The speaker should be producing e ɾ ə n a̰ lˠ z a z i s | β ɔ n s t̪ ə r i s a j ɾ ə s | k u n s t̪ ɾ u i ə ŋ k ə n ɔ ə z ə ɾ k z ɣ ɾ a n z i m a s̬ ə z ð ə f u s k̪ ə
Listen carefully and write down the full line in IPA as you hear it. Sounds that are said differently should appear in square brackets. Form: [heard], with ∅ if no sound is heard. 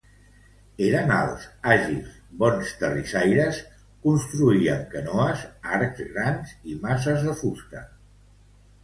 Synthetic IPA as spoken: e ɾ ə n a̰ lˠ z a [ʒ] i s | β ɔ n s t̪ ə r i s a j ɾ ə s | k u n s t̪ ɾ u i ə ŋ k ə n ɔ ə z [a] ɾ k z ɣ ɾ a n z i m a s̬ ə z ð ə f u s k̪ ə